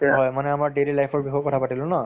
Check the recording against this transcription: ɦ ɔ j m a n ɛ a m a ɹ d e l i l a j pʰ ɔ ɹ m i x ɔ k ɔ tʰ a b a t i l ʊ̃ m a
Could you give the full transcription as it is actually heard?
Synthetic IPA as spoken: ɦ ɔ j m a n ɛ a m a ɹ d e l i l a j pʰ ɔ ɹ b i x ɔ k ɔ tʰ a p a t i l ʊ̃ n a